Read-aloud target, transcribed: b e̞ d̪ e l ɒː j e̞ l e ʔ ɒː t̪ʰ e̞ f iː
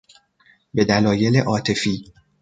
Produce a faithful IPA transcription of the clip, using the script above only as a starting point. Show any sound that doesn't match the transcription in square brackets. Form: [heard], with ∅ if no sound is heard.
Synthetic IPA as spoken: b e̞ d̪ [æ] l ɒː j e̞ l e ʔ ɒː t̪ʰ e̞ f iː